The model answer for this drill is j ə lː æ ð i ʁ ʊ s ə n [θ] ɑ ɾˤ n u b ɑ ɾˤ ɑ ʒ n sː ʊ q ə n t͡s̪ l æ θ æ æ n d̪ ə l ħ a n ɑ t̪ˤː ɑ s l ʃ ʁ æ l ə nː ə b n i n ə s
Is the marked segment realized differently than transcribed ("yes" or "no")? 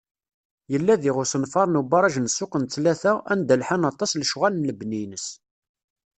yes